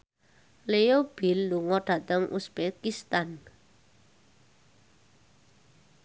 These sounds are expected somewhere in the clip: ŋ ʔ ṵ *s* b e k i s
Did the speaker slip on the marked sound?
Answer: no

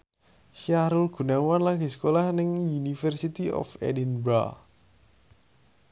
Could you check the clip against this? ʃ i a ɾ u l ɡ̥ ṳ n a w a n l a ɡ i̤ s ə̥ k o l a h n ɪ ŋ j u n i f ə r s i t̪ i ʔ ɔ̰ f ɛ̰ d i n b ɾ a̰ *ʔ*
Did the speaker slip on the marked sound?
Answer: yes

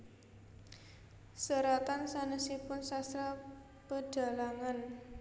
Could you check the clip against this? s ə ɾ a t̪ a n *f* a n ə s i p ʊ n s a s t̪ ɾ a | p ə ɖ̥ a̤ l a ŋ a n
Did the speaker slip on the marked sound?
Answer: yes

